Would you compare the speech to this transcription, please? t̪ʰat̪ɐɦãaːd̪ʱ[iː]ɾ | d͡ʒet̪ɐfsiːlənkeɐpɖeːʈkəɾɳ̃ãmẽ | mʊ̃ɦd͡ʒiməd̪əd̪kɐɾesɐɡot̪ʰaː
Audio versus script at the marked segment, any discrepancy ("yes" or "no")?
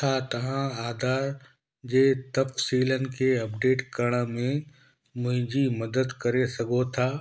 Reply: yes